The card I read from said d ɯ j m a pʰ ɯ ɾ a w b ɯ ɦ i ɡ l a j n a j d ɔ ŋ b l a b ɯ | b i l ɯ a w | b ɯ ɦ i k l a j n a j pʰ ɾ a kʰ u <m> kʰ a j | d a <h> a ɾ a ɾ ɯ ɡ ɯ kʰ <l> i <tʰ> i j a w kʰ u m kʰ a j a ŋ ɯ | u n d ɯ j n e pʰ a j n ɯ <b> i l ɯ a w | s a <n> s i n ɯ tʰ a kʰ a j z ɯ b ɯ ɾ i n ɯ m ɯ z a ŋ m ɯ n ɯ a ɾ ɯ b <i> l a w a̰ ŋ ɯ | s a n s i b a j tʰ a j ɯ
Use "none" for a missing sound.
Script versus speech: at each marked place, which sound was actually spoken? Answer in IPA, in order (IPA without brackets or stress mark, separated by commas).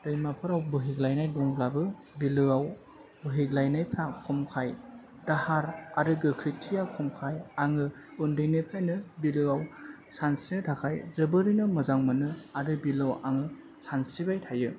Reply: m, h, ɾ, tʰ, b, n, i